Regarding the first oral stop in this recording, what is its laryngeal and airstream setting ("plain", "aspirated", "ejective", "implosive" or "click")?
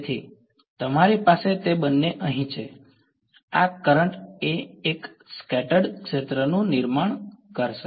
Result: aspirated